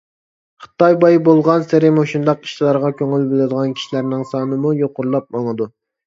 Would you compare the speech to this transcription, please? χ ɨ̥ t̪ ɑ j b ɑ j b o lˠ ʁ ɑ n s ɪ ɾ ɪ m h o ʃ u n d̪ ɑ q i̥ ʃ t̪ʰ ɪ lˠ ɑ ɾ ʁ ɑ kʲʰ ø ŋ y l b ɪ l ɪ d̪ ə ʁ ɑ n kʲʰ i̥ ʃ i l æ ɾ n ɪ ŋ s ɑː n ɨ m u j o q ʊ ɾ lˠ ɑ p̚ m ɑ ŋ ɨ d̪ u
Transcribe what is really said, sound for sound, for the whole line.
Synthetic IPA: χ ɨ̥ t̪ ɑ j b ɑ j b o lˠ ʁ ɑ n s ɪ ɾ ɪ m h o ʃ u n d̪ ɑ q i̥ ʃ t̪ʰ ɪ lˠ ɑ ɾ ʁ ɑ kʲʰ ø ŋ y l b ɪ l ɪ d̪ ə ʁ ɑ n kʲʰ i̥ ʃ i l æ ɾ n ɪ ŋ s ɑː n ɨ m u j o q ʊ ɾ lˠ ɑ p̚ m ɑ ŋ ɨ d̪ u